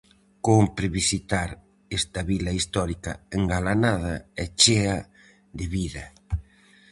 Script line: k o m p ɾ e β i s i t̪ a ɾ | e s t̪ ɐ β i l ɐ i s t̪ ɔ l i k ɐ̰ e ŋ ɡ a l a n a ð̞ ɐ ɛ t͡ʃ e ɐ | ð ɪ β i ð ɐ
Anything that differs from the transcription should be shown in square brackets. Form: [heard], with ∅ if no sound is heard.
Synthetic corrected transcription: k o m p ɾ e β i s i t̪ a ɾ | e s t̪ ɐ β i l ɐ i s t̪ ɔ [ɾ] i k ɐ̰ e ŋ ɡ a l a n a ð̞ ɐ ɛ t͡ʃ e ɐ | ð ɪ β i ð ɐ